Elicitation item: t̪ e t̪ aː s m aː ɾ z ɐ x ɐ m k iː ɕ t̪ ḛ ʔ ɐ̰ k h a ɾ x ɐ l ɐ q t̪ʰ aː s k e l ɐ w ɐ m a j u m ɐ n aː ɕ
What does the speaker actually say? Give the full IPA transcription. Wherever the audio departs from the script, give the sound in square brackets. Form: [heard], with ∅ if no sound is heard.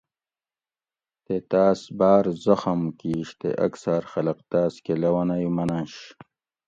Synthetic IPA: t̪ e t̪ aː s [b] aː ɾ z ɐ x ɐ m k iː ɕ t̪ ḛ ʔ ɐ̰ k [s] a ɾ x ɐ l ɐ q [t̪] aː s k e l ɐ w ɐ [n] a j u m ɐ n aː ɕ